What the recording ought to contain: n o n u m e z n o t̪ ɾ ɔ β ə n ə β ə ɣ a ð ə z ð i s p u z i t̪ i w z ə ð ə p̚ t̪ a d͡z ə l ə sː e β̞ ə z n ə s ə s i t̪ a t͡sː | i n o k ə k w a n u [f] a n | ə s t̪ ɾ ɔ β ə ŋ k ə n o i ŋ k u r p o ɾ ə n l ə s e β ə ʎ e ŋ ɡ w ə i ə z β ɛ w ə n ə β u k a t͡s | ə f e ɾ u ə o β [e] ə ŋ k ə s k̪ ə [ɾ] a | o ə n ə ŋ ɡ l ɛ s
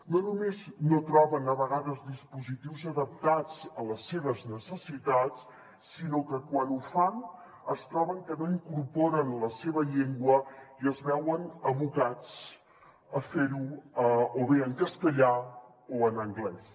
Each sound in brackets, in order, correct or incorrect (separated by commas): correct, correct, incorrect